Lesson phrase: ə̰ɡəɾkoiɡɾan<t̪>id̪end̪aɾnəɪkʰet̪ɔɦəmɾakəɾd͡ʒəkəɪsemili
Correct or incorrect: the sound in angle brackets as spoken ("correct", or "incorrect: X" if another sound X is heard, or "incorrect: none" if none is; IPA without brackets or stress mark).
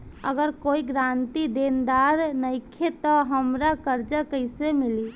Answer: correct